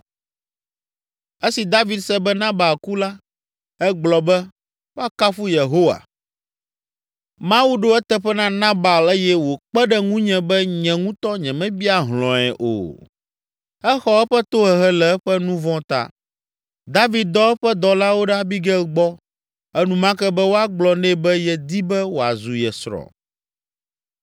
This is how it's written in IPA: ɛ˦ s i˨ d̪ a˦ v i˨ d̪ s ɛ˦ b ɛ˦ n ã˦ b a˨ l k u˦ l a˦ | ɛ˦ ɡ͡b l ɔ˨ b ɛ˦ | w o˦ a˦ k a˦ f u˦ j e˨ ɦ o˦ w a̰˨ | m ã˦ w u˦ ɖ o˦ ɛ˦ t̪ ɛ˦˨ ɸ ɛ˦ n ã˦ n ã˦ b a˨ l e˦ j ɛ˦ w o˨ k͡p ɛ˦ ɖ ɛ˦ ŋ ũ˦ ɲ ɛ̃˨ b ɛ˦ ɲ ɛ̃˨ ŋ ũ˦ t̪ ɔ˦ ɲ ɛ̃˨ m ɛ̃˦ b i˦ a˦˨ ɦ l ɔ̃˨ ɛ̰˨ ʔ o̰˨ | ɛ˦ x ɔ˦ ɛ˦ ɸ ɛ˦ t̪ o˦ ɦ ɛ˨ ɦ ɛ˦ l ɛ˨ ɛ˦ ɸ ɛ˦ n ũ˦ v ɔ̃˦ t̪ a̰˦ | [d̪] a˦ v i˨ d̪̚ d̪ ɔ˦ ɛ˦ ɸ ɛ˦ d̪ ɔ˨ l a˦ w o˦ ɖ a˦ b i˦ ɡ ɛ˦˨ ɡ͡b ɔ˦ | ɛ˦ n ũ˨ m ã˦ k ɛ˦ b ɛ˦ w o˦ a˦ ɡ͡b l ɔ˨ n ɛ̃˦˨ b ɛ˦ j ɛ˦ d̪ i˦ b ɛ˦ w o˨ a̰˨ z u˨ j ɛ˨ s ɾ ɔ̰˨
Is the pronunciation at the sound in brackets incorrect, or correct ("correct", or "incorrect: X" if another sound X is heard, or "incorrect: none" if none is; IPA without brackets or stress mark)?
correct